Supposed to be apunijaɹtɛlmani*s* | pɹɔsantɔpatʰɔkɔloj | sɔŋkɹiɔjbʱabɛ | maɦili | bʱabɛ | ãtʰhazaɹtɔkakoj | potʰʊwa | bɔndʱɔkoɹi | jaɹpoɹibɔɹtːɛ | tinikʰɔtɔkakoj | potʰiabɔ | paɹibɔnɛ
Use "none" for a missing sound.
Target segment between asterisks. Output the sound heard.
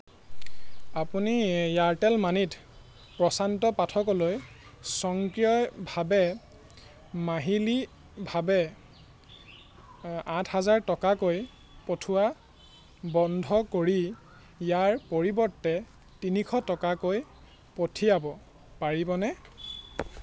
t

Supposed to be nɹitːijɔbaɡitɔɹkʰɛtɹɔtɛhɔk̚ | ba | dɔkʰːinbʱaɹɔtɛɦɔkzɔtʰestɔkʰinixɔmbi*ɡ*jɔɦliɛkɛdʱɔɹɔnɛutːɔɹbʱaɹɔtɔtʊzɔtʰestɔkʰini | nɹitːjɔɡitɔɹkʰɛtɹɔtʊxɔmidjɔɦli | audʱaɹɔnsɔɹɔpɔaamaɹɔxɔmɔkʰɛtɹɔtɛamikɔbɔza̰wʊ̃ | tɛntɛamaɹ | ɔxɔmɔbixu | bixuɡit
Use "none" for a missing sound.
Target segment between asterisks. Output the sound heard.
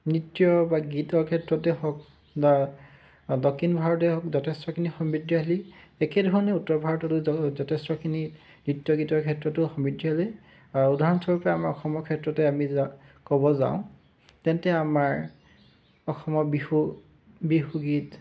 d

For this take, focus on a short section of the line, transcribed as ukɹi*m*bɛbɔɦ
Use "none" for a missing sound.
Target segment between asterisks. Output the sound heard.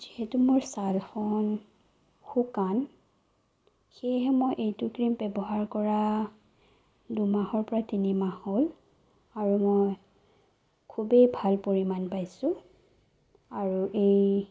m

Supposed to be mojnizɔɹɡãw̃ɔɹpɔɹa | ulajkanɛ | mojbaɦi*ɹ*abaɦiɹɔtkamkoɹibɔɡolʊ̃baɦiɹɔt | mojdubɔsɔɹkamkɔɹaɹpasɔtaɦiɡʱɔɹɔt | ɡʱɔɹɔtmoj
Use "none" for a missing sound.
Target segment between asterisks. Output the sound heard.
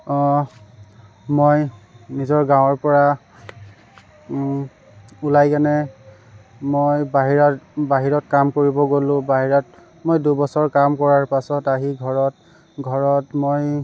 ɹ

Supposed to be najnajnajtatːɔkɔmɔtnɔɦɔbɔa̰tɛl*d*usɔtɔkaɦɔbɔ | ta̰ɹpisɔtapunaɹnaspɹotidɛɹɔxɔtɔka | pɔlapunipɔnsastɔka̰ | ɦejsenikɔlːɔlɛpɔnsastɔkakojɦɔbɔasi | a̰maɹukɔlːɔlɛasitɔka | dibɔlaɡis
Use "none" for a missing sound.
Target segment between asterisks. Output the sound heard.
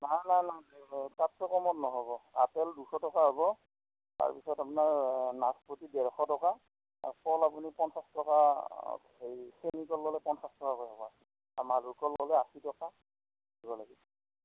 d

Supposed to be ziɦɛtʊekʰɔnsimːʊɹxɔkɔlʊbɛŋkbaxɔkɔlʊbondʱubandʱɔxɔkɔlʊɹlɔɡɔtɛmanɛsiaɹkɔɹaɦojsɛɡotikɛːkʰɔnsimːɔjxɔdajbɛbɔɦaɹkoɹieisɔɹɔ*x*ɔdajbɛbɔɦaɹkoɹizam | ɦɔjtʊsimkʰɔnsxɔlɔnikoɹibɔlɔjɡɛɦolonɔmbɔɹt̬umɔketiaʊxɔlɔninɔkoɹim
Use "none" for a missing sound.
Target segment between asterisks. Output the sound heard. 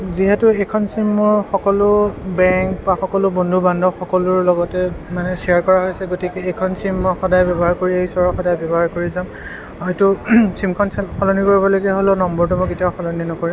x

